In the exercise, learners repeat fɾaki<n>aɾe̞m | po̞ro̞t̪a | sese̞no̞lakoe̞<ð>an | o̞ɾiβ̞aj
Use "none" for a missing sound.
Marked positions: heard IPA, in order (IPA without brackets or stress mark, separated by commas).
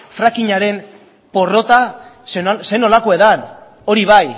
ɲ, ð